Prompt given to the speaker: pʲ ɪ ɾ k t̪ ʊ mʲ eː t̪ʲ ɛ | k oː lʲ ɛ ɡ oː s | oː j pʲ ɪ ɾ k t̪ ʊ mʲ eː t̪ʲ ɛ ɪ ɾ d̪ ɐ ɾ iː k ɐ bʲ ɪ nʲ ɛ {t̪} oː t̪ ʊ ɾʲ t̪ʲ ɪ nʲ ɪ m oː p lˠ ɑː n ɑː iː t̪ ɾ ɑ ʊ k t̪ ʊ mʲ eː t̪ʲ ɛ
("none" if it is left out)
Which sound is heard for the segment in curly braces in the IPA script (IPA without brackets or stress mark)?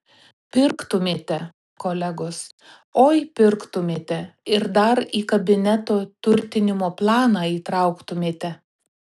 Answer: t̪